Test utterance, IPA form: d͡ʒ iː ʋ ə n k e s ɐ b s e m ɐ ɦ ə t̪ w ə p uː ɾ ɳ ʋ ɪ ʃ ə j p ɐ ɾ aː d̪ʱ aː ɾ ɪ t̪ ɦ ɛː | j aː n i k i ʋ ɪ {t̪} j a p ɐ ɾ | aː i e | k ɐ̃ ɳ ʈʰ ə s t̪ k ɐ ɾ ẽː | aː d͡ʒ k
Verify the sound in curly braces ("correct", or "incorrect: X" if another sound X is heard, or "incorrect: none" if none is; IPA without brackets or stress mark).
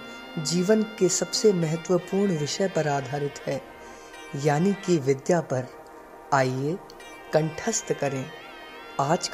incorrect: d̪